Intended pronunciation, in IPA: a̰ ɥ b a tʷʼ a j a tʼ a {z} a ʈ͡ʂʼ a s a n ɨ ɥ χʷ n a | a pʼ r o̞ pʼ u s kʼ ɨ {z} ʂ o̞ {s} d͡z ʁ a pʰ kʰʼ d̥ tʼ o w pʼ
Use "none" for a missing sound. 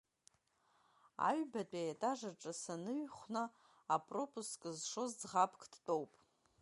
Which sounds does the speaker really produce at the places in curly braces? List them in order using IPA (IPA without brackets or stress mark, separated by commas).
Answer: ʐ, z, z